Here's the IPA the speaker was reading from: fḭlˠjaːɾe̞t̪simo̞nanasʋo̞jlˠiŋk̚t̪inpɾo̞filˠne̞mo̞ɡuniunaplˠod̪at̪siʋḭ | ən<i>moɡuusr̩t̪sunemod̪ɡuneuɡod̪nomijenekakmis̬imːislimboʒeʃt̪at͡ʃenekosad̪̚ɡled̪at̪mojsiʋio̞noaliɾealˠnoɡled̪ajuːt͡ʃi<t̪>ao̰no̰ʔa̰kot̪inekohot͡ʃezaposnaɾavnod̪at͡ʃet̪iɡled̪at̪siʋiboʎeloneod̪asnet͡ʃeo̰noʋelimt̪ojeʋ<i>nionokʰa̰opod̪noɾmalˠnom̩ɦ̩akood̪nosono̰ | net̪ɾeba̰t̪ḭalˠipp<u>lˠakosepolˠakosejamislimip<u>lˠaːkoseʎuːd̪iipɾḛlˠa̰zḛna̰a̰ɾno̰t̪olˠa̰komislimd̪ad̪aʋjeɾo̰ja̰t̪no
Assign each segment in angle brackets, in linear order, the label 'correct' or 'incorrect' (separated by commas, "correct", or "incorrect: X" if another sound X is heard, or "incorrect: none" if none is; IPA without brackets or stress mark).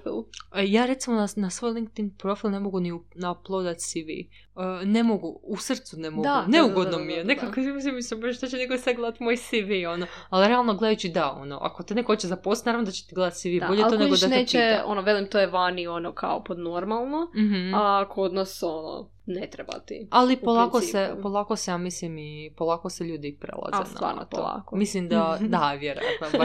incorrect: e, incorrect: d̪, incorrect: a, incorrect: o, incorrect: o